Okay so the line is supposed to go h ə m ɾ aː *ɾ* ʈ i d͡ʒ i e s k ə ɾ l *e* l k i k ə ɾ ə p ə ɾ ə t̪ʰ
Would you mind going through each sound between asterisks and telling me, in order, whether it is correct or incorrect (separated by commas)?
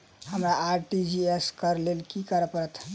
correct, correct